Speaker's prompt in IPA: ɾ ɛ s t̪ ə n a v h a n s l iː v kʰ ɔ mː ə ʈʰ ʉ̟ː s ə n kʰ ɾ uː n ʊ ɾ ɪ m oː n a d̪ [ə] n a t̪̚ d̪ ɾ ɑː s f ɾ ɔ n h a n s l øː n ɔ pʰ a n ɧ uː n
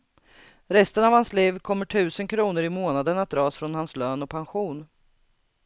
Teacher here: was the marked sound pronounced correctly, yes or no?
yes